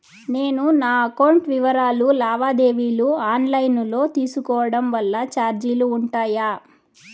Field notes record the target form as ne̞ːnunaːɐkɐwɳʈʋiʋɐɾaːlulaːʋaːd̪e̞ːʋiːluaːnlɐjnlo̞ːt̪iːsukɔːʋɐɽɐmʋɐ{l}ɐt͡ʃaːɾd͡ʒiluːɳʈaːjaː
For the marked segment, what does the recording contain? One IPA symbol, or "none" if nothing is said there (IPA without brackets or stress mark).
lː